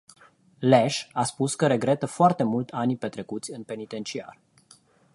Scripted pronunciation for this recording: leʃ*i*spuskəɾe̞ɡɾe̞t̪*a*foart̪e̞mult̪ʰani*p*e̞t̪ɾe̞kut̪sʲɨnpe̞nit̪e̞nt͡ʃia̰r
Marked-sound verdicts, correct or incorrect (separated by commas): incorrect, incorrect, correct